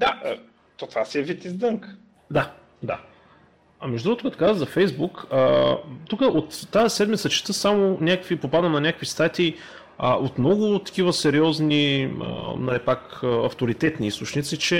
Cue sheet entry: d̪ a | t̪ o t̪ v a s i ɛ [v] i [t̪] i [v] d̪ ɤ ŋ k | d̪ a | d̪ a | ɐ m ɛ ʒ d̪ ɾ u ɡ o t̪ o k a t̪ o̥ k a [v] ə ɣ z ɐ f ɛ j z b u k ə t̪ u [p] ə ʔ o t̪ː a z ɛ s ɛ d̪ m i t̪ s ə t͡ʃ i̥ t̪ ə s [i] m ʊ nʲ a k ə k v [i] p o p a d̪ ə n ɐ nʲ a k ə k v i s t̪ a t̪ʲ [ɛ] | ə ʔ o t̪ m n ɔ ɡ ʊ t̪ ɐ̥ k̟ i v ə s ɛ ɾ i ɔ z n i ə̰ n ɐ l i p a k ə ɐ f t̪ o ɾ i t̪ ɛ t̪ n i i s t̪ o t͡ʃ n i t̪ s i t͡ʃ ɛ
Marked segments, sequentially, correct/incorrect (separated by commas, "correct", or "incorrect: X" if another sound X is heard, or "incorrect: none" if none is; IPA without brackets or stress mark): correct, correct, incorrect: z, incorrect: z, incorrect: k, incorrect: a, correct, incorrect: i